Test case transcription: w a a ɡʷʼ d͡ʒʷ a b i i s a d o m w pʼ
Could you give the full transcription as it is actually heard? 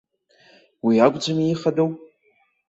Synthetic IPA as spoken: w i a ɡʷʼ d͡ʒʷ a m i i χ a d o w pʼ